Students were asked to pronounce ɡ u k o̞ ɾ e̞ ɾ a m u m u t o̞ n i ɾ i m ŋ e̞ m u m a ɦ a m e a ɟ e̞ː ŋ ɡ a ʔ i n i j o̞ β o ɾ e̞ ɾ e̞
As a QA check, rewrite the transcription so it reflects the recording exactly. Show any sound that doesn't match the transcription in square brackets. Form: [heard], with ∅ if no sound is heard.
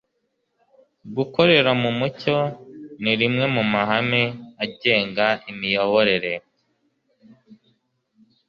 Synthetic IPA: ɡ u k o̞ ɾ e̞ ɾ a m u m u [c] o̞ n i ɾ i m ŋ e̞ m u m a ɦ a m e a ɟ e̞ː ŋ ɡ a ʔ i [m] i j o̞ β o ɾ e̞ ɾ e̞